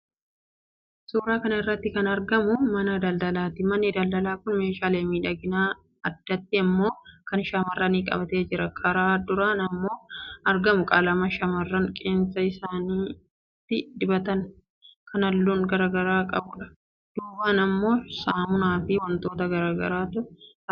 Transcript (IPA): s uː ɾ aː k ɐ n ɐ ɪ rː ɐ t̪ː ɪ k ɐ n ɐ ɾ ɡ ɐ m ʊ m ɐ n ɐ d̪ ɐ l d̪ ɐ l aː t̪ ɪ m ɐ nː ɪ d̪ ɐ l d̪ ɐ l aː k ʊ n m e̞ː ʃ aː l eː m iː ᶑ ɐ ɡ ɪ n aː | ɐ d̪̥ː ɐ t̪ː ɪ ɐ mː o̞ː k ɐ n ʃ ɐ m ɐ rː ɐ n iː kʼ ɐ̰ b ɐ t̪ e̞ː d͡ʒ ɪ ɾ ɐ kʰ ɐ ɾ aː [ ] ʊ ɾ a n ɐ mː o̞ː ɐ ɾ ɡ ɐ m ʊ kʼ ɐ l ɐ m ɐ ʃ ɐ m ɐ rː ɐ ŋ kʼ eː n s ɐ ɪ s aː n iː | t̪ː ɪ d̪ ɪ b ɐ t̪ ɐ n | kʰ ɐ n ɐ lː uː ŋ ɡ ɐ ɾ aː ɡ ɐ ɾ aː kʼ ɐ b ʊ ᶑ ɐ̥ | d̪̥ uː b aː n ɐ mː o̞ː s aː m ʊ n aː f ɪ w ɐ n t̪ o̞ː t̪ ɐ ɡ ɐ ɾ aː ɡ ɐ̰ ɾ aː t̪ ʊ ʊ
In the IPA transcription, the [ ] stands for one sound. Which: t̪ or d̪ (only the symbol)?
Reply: d̪